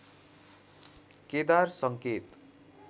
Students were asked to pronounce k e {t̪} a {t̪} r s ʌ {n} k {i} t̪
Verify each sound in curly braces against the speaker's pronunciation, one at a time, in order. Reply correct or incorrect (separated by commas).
incorrect, incorrect, incorrect, incorrect